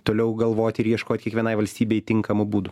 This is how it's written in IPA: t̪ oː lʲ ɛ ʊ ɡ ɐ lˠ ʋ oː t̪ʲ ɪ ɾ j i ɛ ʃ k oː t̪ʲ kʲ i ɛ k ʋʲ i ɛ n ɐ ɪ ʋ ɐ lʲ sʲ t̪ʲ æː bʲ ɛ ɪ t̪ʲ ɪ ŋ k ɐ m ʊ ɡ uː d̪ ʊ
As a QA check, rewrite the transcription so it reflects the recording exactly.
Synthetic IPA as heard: t̪ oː lʲ ɛ ʊ ɡ ɐ lˠ ʋ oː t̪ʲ ɪ ɾ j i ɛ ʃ k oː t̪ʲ kʲ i ɛ k ʋʲ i ɛ n ɐ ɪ ʋ ɐ lʲ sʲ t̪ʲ iː bʲ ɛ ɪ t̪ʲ ɪ ŋ k ɐ m ʊ b uː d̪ ʊ